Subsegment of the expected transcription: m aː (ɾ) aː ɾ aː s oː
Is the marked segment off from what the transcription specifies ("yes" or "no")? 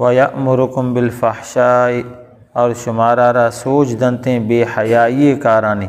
no